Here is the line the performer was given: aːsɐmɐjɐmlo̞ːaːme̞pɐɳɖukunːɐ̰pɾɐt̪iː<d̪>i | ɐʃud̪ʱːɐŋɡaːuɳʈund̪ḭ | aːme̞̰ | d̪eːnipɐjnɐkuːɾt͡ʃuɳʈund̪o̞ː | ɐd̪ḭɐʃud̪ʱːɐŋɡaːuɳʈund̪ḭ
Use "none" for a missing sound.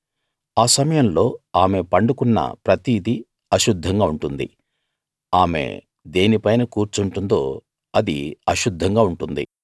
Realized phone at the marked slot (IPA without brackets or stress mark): d̪